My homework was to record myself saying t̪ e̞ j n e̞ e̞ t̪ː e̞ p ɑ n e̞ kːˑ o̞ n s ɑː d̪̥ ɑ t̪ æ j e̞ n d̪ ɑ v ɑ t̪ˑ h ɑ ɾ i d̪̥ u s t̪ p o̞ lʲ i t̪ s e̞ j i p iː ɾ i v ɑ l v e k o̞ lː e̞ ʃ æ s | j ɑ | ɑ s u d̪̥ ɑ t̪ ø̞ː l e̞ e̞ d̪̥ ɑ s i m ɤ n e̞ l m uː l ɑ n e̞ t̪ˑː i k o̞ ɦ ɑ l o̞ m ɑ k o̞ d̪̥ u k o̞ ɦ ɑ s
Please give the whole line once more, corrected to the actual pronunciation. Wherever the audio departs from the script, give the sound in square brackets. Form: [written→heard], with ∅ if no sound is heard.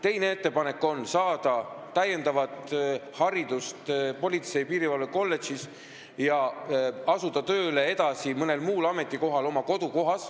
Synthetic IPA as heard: t̪ e̞ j n e̞ e̞ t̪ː e̞ p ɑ n e̞ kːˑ o̞ n s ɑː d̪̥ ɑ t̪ æ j e̞ n d̪ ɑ v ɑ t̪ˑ h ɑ ɾ i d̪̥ u s t̪ p o̞ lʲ i t̪ s e̞ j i p iː ɾ i v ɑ l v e k o̞ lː e̞ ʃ [æ→i] s | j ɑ | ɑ s u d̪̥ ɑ t̪ ø̞ː l e̞ e̞ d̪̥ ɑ s i m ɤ n e̞ l m uː l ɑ [n→m] e̞ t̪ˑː i k o̞ ɦ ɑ l o̞ m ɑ k o̞ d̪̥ u k o̞ ɦ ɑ s